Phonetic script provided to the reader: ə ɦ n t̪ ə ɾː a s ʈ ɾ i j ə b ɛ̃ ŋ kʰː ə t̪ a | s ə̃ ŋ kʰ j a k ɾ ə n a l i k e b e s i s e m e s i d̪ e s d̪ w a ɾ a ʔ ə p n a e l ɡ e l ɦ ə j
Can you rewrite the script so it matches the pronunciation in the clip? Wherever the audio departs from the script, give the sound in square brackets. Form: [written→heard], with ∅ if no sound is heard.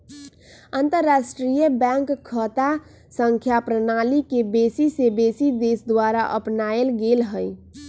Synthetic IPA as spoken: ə [ɦ→∅] n t̪ ə ɾː a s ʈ ɾ i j ə b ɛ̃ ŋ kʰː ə t̪ a | s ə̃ ŋ kʰ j a [k→p] ɾ ə n a l i k e b e s i s e [m→b] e s i d̪ e s d̪ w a ɾ a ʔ ə p n a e l ɡ e l ɦ ə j